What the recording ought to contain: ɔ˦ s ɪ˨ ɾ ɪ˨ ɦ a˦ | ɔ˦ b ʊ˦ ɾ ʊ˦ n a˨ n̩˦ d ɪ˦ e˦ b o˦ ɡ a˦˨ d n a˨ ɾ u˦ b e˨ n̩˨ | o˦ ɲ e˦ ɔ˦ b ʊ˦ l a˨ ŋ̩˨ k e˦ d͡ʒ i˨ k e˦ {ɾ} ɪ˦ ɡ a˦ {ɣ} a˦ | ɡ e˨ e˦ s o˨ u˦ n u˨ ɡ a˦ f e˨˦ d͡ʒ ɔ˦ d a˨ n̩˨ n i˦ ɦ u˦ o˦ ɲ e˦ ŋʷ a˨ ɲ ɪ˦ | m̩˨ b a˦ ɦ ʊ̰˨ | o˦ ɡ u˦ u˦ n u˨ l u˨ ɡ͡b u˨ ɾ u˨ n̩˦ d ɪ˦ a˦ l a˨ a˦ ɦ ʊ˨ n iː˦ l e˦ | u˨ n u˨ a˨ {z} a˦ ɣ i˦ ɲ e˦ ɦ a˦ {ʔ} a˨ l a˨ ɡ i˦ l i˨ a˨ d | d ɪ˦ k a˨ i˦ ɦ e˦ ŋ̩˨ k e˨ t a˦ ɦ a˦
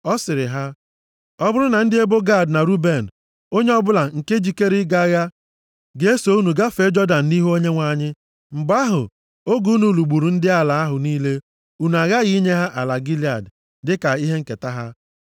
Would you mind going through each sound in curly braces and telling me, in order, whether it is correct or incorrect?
correct, correct, incorrect: ɣ, correct

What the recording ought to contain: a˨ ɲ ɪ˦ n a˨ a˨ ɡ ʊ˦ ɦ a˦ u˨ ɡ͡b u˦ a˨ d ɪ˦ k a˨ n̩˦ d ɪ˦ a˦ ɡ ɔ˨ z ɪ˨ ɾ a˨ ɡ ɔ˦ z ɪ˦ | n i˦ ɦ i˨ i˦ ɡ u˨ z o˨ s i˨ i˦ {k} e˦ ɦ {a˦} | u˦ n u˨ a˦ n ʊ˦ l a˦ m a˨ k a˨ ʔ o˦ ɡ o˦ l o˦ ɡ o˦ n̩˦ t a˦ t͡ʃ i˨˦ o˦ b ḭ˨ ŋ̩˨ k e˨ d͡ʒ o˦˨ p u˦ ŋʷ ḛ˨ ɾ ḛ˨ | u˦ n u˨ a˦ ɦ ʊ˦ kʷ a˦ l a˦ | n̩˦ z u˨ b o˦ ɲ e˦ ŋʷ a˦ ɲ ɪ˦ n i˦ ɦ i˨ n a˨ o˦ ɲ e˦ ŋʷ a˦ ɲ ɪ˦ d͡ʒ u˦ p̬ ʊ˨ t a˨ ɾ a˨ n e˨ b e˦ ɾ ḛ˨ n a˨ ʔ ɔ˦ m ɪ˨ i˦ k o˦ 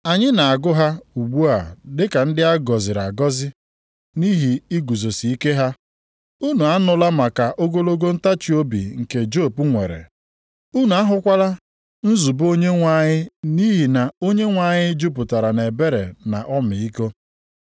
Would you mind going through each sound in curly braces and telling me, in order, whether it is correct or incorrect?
correct, correct

